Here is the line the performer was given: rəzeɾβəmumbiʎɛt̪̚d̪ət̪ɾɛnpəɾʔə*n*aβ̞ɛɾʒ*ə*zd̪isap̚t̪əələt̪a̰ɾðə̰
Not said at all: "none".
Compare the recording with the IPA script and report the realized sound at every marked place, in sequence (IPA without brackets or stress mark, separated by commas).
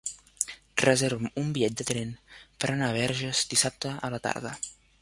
n, ə